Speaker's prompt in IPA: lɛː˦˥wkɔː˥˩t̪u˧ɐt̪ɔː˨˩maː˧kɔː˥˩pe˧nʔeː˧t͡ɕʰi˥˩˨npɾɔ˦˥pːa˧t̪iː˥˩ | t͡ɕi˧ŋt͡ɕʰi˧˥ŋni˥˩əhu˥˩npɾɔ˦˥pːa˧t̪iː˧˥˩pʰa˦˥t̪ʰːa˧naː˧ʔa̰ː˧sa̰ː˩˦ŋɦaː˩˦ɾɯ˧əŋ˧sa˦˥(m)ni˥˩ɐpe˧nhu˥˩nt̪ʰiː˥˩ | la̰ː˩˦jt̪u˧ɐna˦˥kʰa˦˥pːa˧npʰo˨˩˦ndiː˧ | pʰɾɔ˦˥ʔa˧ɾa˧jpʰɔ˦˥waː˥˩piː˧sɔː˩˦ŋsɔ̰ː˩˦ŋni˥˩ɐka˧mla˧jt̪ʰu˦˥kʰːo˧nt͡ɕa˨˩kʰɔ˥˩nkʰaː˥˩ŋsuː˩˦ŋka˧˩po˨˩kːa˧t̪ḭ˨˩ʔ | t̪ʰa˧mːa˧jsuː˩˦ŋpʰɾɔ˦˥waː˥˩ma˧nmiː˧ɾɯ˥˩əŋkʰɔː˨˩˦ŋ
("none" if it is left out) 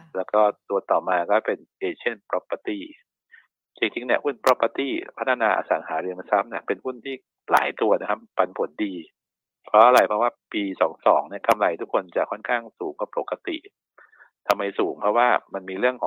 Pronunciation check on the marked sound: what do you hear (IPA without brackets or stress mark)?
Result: m